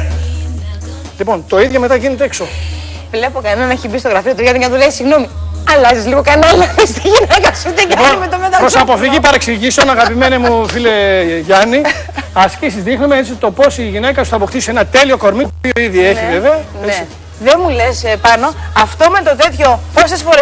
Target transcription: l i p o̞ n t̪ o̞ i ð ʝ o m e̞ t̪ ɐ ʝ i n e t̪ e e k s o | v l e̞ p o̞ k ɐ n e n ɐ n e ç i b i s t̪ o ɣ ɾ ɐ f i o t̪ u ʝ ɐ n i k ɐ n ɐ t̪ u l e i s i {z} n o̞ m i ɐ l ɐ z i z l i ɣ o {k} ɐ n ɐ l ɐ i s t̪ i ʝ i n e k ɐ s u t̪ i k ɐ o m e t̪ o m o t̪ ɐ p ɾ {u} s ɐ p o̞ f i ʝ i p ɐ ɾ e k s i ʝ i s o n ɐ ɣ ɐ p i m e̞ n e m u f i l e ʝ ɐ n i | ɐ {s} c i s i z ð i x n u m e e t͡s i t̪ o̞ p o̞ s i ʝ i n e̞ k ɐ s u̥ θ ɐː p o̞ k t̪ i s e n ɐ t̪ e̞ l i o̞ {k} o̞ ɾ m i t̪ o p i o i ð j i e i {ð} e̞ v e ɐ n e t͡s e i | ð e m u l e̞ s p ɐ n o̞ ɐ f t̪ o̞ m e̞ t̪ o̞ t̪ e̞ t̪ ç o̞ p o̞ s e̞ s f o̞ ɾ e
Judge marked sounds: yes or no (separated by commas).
no, yes, no, yes, yes, no